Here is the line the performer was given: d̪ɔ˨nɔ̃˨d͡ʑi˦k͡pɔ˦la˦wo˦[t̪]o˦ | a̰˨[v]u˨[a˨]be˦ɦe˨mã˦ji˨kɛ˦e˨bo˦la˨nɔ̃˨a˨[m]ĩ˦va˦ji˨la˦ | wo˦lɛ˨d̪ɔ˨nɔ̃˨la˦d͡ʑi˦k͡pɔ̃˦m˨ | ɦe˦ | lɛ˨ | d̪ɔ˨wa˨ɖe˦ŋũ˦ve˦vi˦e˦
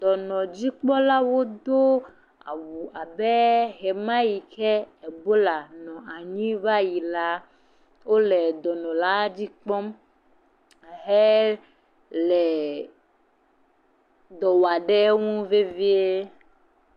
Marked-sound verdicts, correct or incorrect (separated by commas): incorrect, incorrect, correct, incorrect